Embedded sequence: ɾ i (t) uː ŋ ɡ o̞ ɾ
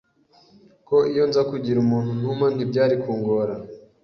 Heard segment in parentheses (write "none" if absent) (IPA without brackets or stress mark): k